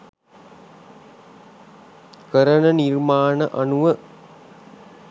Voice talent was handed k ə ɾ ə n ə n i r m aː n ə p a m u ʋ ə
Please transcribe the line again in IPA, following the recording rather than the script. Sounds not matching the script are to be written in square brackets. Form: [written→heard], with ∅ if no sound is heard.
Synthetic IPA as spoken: k ə ɾ ə n ə n i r m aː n ə [p→ʔ] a [m→n] u ʋ ə

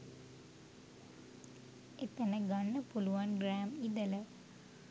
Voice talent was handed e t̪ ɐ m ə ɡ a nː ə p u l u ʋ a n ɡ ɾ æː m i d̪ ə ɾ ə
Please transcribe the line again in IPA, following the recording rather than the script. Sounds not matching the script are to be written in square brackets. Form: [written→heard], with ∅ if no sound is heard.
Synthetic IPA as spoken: e t̪ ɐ [m→n] ə ɡ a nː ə p u l u ʋ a n ɡ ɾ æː m i d̪ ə [ɾ→l] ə

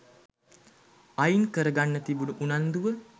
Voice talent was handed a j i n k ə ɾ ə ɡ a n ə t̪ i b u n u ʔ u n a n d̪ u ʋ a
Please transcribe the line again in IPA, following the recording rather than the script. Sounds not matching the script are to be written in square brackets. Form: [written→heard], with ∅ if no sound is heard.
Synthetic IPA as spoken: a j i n k ə ɾ ə ɡ a [n→nː] ə t̪ i b u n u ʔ u n a n d̪ u ʋ [a→ə]

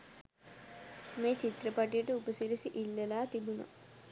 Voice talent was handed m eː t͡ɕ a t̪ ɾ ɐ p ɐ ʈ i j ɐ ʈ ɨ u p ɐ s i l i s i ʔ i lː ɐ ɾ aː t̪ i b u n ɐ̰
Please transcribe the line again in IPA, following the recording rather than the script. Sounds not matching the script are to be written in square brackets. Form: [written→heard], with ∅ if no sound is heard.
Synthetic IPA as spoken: m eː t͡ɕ [a→i] t̪ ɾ ɐ p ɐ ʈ i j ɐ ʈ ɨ u p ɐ s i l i s i ʔ i lː ɐ [ɾ→l] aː t̪ i b u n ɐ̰

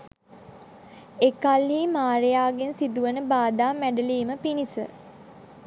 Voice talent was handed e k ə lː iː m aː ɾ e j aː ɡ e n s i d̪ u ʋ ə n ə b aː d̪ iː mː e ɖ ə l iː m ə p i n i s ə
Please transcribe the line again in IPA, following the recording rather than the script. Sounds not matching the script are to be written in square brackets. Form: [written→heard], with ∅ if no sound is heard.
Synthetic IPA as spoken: e k [ə→a] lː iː m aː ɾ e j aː ɡ e n s i d̪ u ʋ ə n ə b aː d̪ [iː→aː] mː [e→æ] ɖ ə l iː m ə p i n i s ə

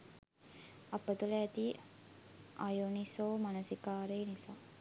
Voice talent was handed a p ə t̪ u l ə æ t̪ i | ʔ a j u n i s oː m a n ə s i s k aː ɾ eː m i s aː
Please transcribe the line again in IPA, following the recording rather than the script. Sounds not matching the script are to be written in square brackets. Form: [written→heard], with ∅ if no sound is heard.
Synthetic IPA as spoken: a p ə t̪ u l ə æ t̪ i | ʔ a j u n i s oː m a n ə s i [s→∅] k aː ɾ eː [m→n] i s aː

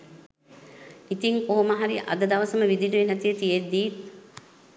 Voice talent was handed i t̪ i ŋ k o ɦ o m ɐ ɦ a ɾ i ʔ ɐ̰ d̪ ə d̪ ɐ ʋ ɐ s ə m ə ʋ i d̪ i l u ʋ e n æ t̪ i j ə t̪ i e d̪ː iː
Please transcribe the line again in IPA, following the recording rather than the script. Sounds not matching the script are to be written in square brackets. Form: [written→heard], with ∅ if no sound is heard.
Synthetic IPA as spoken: i t̪ i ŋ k o ɦ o m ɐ ɦ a ɾ i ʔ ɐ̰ d̪ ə d̪ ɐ ʋ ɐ s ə m ə ʋ i d̪ i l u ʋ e n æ t̪ i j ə t̪ i e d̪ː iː

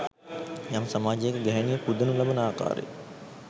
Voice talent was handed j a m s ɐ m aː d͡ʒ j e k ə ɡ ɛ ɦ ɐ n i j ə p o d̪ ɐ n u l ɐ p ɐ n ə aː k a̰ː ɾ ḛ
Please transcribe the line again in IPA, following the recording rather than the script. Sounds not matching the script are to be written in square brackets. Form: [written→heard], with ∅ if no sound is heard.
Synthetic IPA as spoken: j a m s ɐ m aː d͡ʒ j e k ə ɡ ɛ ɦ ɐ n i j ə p [o→u] d̪ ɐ n u l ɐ [p→b] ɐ n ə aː k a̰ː ɾ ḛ

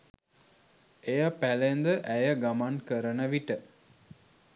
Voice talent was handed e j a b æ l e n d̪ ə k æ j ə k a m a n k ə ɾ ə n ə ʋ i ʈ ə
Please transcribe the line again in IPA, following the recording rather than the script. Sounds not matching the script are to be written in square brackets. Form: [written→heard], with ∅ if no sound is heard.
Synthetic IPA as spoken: e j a [b→p] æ l e n d̪ ə [k→ʔ] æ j ə [k→ɡ] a m a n k ə ɾ ə n ə ʋ i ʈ ə

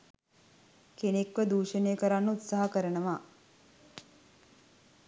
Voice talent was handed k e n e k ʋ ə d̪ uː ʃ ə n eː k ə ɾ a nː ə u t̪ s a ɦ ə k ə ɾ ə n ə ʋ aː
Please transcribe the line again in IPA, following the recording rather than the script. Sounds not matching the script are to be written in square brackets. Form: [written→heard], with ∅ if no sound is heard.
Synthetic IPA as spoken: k e n e k ʋ ə d̪ uː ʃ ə n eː k ə ɾ a nː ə u t̪ s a ɦ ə k ə ɾ ə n ə ʋ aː

